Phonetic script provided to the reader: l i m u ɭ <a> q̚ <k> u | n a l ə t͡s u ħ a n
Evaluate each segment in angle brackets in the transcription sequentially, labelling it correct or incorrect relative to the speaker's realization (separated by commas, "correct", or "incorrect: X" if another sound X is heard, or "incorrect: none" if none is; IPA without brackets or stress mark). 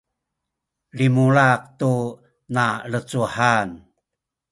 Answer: correct, incorrect: t